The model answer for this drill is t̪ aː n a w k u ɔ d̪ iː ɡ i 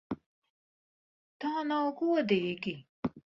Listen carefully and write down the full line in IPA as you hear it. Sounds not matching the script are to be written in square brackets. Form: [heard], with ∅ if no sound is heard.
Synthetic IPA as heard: t̪ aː n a w [ɡ] u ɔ d̪ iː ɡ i